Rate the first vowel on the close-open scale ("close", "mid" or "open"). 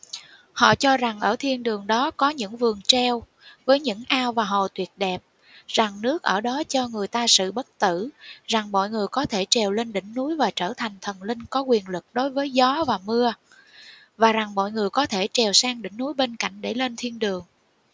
mid